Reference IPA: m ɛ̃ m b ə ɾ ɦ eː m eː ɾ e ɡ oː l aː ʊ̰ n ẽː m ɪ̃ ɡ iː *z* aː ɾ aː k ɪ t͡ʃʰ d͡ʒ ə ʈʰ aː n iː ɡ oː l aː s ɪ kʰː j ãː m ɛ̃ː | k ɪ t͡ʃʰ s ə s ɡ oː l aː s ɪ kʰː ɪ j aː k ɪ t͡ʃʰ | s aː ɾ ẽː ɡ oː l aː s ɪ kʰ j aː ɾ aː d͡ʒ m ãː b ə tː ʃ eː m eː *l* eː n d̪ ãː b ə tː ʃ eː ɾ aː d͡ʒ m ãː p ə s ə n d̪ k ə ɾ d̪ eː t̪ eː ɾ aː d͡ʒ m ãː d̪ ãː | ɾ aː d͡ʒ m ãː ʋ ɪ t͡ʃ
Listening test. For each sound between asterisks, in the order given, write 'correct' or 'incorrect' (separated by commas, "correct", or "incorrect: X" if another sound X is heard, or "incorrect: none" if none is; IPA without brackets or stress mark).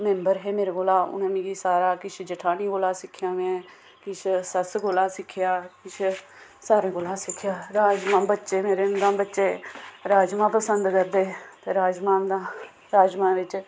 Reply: incorrect: s, incorrect: ɾ